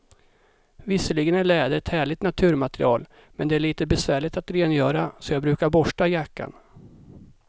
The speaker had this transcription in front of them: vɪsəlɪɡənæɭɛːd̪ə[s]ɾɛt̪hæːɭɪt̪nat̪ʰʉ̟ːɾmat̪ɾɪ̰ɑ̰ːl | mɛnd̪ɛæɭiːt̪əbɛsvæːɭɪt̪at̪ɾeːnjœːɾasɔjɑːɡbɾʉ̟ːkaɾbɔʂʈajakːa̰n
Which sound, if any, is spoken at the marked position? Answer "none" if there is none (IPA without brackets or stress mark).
none